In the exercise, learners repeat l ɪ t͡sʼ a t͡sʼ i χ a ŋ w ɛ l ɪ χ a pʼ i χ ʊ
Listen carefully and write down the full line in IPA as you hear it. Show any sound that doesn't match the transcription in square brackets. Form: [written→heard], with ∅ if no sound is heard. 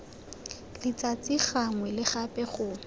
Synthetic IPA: l ɪ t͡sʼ a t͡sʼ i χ a ŋ w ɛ l ɪ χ a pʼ [i→ɛ] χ ʊ